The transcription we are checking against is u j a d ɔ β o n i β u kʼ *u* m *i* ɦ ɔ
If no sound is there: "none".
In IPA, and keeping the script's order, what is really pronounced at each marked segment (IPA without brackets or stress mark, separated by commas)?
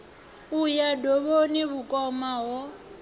ɔ, a